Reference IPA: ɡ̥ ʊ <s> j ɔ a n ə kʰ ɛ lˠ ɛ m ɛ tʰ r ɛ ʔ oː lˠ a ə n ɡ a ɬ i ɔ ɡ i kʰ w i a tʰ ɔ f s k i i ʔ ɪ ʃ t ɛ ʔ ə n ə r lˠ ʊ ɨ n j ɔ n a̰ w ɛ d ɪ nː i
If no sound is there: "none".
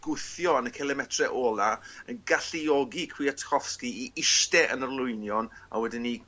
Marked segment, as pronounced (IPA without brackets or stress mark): θ